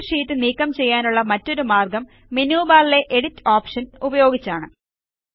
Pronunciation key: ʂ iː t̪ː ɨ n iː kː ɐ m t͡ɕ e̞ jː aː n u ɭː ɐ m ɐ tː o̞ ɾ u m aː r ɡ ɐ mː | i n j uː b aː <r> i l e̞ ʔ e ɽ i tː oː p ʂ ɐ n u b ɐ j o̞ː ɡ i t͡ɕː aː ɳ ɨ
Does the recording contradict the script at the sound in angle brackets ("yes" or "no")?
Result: yes